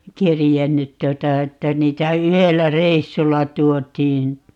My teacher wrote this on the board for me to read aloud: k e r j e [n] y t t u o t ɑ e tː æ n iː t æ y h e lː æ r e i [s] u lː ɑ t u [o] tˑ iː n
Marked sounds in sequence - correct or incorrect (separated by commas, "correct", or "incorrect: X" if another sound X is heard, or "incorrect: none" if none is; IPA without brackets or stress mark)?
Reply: incorrect: nː, incorrect: sː, correct